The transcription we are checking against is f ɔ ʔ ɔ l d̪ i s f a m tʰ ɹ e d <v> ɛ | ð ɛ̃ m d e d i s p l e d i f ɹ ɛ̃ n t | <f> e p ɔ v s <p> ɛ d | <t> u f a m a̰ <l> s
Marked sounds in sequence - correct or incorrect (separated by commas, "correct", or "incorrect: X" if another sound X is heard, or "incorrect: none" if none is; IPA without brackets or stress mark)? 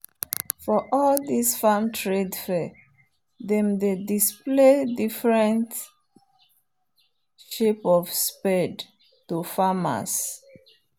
incorrect: f, incorrect: ʃ, correct, correct, incorrect: none